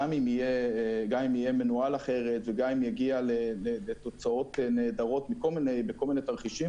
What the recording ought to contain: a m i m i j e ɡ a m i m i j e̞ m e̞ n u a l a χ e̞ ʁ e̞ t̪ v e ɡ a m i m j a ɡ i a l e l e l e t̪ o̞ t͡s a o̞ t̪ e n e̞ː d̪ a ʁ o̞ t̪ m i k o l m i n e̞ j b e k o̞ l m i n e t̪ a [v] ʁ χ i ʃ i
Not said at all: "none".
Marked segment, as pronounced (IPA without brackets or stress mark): none